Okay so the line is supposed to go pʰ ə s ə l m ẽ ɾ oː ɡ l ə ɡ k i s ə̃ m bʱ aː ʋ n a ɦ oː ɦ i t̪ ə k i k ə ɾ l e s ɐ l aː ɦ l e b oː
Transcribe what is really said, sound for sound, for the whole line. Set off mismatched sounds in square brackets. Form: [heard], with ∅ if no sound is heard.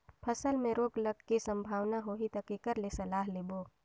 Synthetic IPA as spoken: pʰ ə s ə l m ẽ ɾ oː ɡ l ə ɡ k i s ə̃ m bʱ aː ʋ n a ɦ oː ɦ i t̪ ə k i k ə ɾ l e s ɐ l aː ɦ l e b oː

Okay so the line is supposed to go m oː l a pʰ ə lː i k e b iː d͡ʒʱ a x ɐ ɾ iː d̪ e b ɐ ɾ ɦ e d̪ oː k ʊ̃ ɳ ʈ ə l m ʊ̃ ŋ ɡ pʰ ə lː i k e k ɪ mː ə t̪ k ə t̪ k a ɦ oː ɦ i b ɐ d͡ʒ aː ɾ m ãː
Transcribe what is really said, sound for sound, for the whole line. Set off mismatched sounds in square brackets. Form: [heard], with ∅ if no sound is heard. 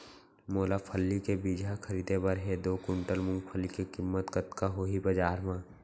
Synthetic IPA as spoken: m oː l a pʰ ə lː i k e b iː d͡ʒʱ a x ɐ ɾ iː d̪ e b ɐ ɾ ɦ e d̪ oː k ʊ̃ ɳ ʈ ə l m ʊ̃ ŋ ɡ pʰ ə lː i k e k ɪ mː ə t̪ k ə t̪ k a ɦ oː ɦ i b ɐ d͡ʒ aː ɾ m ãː

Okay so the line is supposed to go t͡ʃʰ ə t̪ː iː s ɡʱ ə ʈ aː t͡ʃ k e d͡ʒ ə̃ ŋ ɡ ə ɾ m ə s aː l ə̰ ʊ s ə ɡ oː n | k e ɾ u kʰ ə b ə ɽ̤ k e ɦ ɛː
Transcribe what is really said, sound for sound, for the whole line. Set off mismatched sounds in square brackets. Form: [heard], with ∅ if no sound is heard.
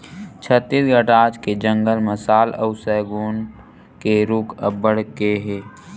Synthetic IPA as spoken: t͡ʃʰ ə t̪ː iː s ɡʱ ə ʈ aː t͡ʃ k e d͡ʒ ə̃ ŋ ɡ ə [l] m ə s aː l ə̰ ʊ s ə ɡ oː n | k e ɾ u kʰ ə b ə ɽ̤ k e ɦ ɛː

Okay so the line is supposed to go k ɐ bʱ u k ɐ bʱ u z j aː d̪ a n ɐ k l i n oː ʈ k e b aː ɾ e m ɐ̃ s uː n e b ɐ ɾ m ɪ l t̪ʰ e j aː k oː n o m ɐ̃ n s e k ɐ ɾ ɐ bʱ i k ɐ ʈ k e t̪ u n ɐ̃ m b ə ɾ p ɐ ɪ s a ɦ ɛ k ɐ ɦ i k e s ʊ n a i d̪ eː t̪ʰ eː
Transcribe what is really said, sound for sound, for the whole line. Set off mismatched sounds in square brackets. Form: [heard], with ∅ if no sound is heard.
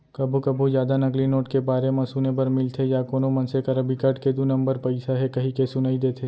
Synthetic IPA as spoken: k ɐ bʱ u k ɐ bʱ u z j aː d̪ a n ɐ k l i n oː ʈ k e b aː ɾ e m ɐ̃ s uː n e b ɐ ɾ m ɪ l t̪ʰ e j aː k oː n o m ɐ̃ n s e k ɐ ɾ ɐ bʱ i k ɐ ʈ k e [d̪] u n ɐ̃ m b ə ɾ p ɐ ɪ s a ɦ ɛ k ɐ ɦ i k e s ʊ n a i d̪ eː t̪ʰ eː

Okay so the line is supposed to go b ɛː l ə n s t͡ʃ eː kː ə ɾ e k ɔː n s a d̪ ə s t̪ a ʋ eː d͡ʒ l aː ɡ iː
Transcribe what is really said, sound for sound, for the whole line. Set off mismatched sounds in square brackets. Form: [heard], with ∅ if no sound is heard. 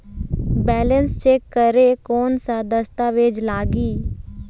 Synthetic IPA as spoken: b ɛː l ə n s t͡ʃ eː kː ə ɾ e k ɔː n s a d̪ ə s t̪ a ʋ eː d͡ʒ l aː ɡ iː

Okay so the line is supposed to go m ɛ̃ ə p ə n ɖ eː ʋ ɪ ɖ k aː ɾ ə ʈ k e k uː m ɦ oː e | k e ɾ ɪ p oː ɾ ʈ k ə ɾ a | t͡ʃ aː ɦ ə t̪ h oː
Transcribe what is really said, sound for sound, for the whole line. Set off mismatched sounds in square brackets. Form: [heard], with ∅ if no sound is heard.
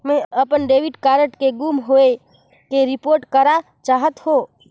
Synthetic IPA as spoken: m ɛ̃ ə p ə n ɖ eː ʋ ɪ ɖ k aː ɾ ə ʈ k e [ɡ] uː m ɦ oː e | k e ɾ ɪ p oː ɾ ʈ k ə ɾ a | t͡ʃ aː ɦ ə t̪ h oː

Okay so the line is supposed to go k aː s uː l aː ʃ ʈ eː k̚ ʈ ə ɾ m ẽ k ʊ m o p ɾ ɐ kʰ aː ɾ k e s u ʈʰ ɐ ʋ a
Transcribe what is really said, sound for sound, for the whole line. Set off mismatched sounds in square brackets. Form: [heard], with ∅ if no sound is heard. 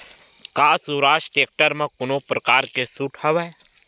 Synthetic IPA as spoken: k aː s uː [ɾ] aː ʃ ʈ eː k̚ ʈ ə ɾ m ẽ k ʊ [n] o p ɾ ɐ [k] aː ɾ k e s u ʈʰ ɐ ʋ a

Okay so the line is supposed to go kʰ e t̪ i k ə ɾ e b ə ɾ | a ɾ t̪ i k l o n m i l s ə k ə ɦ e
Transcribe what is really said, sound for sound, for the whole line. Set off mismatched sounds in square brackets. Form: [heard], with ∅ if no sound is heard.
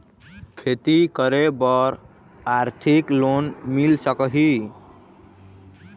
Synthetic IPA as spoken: kʰ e t̪ i k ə ɾ e b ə ɾ | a ɾ [t̪ʰ] i k l o n m i l s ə k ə ɦ [i]

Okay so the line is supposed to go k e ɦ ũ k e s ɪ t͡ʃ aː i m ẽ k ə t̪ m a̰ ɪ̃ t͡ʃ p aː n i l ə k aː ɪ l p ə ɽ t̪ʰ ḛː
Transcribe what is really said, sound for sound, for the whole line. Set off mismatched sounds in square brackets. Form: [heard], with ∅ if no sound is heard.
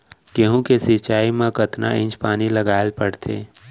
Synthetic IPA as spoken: k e ɦ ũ k e s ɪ t͡ʃ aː i m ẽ k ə t̪ [n] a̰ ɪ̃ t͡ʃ p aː n i l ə [ɡ] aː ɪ l p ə ɽ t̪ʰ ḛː

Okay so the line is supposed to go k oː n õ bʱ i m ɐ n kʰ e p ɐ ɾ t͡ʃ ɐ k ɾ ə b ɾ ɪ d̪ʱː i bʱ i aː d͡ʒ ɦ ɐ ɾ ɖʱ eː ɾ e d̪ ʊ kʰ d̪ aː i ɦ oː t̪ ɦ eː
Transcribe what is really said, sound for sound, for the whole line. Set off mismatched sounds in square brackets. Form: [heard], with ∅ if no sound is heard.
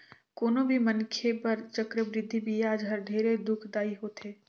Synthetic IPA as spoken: k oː n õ bʱ i m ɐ n kʰ e p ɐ ɾ t͡ʃ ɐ k ɾ ə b ɾ ɪ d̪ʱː i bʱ i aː d͡ʒ ɦ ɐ ɾ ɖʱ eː ɾ e d̪ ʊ kʰ d̪ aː i ɦ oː t̪ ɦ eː

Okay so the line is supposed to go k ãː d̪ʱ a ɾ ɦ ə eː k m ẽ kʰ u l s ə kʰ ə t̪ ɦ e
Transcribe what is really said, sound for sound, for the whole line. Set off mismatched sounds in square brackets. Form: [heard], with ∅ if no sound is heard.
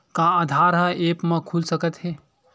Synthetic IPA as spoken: k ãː d̪ʱ a ɾ ɦ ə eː [p] m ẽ kʰ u l s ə [k] ə t̪ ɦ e

